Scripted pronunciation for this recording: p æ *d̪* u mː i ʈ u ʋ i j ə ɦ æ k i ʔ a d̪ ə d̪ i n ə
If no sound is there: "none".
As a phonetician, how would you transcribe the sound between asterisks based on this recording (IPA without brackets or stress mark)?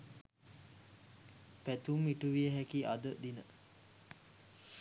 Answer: t̪